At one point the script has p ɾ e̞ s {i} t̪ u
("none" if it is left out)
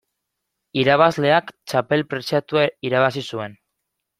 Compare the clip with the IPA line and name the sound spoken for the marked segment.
a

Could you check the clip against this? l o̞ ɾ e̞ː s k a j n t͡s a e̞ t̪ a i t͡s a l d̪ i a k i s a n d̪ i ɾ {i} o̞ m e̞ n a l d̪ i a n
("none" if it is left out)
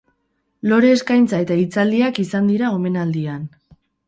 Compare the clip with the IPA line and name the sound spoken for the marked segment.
a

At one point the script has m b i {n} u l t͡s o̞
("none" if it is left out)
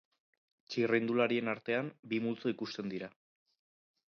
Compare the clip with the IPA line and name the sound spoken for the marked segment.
m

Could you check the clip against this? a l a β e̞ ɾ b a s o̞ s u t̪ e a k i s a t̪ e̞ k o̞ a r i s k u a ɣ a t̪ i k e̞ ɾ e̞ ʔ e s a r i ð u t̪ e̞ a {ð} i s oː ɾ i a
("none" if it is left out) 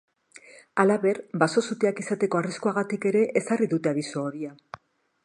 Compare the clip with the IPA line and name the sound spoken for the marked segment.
ð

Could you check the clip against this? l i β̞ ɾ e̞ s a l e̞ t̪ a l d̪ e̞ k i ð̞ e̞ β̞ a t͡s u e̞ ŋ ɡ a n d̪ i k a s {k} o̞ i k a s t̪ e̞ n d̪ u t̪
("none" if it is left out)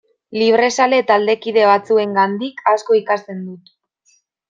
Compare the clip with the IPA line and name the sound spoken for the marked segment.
k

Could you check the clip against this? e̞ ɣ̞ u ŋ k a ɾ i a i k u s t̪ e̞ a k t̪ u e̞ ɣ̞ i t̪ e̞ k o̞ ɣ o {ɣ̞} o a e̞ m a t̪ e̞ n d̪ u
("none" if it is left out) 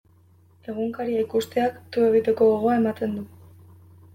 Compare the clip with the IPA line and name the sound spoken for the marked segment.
ɣ̞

